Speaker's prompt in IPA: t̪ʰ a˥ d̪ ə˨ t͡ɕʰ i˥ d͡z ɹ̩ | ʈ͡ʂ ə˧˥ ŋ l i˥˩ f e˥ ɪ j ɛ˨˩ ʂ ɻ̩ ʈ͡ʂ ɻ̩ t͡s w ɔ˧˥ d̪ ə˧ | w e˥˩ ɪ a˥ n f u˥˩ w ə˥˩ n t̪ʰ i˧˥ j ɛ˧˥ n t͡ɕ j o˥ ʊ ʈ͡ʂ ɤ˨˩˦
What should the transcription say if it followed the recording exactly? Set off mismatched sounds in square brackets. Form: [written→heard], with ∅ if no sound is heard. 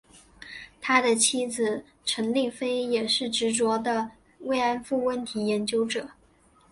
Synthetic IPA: t̪ʰ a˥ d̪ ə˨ t͡ɕʰ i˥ d͡z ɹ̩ | [ʈ͡ʂ→ʈ͡ʂʰ] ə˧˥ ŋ l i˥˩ f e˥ ɪ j ɛ˨˩ ʂ ɻ̩ ʈ͡ʂ ɻ̩ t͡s w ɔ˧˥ d̪ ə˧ | w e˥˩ ɪ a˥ n f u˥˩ w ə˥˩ n t̪ʰ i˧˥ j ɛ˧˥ n t͡ɕ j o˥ ʊ ʈ͡ʂ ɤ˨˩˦